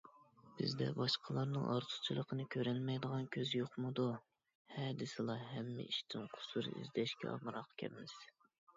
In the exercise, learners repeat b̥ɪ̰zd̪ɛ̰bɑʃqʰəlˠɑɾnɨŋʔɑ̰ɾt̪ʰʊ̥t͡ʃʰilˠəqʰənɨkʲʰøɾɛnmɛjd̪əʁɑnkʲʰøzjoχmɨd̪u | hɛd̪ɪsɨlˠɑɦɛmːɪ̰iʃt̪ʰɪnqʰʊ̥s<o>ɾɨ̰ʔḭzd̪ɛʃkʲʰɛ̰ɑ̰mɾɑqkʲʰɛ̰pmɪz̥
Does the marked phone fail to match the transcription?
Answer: yes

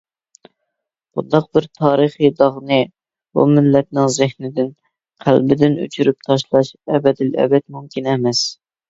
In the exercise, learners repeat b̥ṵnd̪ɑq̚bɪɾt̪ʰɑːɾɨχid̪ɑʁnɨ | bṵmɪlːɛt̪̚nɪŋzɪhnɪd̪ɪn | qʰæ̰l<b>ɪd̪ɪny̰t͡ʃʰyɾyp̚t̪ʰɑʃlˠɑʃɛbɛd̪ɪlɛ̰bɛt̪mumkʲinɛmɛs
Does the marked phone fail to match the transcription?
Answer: no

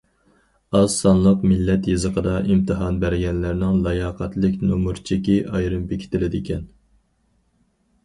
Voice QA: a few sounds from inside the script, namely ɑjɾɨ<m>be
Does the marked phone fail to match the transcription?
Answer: no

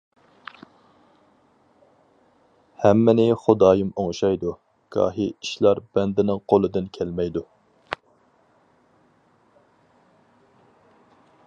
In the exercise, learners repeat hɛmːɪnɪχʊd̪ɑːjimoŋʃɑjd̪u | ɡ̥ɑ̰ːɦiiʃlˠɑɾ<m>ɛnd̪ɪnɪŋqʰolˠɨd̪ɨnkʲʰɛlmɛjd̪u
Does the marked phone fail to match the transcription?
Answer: yes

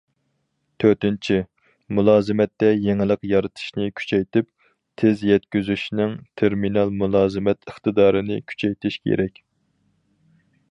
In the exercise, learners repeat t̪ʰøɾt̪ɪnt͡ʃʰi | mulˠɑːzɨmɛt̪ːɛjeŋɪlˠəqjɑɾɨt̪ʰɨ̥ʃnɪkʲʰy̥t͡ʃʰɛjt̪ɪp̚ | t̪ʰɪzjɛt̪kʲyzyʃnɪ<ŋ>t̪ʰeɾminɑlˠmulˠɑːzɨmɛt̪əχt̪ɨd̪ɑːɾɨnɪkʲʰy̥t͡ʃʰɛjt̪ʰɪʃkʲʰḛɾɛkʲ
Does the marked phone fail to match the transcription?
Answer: no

